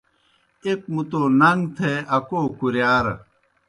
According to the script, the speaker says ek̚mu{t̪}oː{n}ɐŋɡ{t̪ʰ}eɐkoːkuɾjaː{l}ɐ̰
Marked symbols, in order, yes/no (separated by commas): yes, yes, yes, no